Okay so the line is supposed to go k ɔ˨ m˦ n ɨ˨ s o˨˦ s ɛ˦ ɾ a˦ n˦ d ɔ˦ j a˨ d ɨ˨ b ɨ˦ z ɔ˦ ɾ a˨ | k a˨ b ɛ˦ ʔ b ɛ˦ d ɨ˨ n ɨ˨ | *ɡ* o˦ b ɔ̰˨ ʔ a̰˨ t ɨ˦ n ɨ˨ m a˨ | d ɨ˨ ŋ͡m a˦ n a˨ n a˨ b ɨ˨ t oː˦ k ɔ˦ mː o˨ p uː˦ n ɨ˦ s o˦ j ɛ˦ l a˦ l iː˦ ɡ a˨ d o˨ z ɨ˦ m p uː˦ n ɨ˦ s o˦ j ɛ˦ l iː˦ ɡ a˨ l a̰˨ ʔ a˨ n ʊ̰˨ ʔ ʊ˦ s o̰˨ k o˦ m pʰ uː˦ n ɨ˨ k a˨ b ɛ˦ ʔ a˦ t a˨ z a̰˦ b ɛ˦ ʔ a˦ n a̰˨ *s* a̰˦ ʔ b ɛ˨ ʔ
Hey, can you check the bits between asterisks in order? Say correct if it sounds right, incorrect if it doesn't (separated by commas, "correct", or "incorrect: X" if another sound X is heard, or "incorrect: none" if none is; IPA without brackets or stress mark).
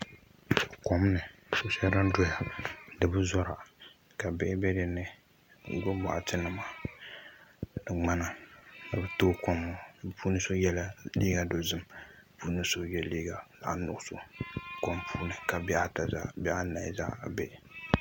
correct, incorrect: z